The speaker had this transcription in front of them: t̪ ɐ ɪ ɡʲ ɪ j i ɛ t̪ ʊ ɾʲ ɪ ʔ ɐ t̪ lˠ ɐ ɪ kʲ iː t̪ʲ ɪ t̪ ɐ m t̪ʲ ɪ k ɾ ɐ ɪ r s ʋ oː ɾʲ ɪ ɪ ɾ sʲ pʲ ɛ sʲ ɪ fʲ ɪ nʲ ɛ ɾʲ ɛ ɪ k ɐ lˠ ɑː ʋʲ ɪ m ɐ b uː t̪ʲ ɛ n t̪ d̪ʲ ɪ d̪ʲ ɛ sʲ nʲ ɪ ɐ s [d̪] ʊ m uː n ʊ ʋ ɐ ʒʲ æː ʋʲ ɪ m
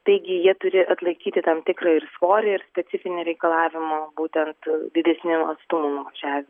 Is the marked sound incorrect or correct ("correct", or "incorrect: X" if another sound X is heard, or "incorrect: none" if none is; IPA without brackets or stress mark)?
incorrect: t̪